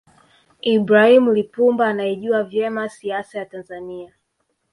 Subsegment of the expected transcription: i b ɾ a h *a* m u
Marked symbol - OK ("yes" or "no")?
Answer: no